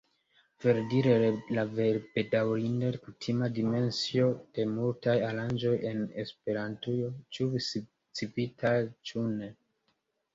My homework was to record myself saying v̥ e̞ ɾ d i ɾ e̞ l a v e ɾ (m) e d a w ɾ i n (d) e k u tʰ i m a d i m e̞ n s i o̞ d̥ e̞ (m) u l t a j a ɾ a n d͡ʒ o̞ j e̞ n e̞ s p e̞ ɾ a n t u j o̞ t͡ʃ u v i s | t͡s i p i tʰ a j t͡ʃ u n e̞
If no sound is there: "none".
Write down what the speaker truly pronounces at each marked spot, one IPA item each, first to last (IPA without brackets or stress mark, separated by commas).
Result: b, d, m